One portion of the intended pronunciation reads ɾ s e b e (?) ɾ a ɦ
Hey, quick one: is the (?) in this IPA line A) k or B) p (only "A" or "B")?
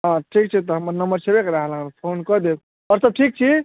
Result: A